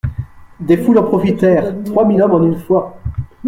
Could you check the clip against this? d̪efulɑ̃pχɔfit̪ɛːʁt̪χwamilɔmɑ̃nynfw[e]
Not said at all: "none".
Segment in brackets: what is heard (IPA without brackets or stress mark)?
a